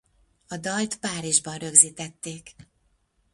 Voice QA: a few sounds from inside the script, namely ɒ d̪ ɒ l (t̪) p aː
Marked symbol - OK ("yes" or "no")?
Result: yes